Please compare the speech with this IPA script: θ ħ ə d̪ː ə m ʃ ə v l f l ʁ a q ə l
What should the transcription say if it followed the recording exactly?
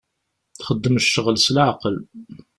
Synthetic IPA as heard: θ χ ə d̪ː ə m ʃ ə ʁ l s l ʕ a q ə l